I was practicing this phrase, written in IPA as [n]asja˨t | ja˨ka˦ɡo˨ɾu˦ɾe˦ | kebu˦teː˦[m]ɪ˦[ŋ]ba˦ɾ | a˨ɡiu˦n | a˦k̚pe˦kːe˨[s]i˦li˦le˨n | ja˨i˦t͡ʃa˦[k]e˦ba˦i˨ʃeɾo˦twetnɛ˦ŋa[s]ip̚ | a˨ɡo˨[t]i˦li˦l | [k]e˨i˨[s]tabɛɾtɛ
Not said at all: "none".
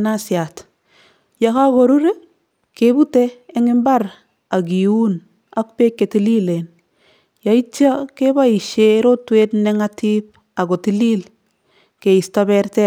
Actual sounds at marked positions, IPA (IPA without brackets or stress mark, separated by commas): n, ŋ, m, t, k, t, t, k, s